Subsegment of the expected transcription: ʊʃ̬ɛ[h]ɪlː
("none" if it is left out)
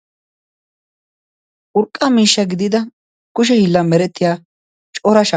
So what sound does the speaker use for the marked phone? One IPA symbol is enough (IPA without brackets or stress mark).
h